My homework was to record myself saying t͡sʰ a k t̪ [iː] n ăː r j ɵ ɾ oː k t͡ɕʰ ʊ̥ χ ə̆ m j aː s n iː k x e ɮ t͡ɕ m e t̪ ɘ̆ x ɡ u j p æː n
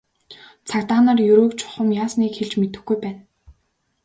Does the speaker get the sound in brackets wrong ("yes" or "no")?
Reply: yes